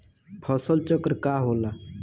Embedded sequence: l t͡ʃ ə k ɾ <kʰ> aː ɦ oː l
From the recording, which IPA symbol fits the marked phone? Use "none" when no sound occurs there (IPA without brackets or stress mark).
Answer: k